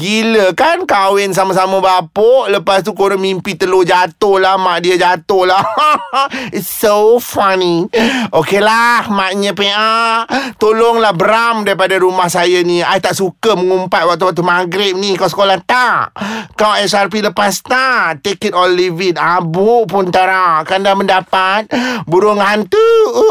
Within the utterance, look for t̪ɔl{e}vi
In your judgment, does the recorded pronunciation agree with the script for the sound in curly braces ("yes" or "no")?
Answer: no